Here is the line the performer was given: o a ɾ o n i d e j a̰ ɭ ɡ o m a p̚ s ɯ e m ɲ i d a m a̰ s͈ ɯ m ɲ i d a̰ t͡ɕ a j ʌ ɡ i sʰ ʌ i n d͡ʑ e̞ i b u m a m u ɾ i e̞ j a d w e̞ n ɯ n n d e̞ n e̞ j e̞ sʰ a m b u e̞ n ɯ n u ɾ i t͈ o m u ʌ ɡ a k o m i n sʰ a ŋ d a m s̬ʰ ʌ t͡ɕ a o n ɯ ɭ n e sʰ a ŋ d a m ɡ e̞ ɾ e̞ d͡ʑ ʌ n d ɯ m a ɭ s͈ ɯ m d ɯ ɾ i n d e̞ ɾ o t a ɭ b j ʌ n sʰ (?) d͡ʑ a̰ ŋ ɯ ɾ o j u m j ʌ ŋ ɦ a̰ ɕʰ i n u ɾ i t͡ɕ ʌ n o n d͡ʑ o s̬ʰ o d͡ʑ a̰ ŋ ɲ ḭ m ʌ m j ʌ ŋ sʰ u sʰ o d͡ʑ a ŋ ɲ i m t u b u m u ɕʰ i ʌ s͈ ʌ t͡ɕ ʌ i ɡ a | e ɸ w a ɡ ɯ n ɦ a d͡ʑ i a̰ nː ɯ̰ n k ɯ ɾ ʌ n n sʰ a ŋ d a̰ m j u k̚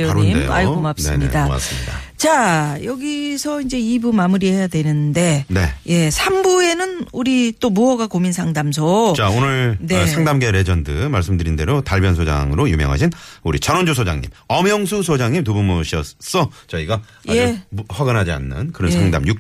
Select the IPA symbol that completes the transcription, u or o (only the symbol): o